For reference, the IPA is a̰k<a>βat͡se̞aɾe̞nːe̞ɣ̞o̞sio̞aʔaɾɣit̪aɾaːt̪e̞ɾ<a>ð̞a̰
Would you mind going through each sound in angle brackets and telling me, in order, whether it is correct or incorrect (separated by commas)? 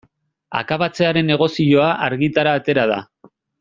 correct, correct